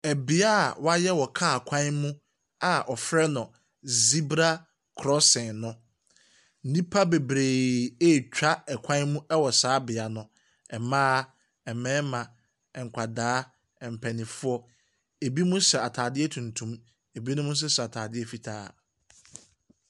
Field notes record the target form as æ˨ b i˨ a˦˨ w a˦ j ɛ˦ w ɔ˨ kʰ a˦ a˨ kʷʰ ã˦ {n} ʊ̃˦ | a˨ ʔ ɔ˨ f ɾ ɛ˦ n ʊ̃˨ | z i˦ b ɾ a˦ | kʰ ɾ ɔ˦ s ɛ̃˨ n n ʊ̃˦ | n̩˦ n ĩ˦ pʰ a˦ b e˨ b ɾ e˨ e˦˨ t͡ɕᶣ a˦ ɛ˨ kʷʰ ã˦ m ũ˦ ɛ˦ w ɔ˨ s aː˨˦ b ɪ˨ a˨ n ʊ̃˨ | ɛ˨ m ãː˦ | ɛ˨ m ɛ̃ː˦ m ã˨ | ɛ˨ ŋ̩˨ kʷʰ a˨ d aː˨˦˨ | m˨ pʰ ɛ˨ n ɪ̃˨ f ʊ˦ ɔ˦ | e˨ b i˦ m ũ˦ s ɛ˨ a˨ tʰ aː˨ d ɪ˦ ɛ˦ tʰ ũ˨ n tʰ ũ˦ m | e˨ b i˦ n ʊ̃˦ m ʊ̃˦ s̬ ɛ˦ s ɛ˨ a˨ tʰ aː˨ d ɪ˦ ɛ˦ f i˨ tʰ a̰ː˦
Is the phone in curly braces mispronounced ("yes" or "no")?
yes